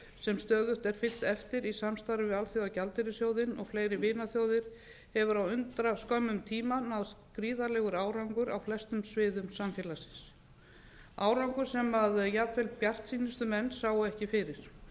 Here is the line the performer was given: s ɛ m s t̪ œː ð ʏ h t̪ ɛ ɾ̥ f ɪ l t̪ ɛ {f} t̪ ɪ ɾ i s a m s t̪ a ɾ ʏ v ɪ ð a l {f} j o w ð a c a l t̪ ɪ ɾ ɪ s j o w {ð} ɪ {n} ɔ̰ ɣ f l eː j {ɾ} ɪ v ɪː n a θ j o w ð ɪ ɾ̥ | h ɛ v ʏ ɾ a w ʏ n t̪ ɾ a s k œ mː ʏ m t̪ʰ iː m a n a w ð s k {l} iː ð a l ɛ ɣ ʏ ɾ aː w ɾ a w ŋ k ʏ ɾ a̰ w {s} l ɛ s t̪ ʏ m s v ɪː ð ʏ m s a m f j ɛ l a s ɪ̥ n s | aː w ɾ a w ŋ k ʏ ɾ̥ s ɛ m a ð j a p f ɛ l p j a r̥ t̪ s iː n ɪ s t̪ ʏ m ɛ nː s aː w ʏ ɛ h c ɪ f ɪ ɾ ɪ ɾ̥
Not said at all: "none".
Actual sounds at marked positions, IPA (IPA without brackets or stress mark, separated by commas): f, θ, ð, n, ɾ, ɾ, f